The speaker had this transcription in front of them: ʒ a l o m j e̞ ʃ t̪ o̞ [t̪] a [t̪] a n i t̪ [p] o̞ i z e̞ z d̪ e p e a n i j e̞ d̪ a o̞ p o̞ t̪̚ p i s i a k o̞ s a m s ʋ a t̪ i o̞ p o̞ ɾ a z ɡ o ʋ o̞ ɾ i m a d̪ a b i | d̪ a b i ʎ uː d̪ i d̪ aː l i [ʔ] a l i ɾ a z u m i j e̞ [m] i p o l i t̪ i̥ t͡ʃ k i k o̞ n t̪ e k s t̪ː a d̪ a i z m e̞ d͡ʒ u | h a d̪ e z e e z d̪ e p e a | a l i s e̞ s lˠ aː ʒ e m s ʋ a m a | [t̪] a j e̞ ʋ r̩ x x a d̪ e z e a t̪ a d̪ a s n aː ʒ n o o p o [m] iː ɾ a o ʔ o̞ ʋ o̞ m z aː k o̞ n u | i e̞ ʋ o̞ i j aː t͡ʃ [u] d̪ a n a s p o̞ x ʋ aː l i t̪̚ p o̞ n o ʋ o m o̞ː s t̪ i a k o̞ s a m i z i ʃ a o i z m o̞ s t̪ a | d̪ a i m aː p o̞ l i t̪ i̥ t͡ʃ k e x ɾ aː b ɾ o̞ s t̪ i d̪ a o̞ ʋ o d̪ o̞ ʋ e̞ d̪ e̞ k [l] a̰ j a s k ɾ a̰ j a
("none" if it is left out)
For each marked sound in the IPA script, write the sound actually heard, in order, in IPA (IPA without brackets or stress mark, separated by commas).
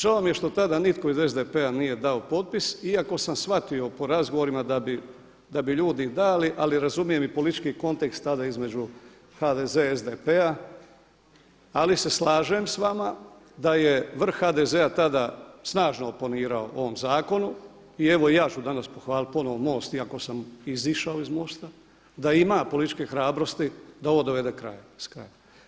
t̪, d̪, k, ʔ, m, d̪, n, u, ɾ